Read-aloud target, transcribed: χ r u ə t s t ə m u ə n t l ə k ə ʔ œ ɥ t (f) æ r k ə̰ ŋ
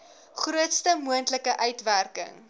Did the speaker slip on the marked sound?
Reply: yes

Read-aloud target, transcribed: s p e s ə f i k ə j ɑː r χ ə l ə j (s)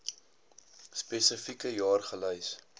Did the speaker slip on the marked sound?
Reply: no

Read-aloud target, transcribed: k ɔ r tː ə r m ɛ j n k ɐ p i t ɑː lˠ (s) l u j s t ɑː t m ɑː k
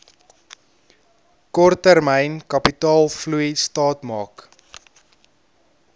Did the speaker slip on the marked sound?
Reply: yes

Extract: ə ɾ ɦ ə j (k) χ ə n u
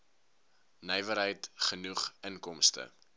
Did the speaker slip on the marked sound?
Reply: yes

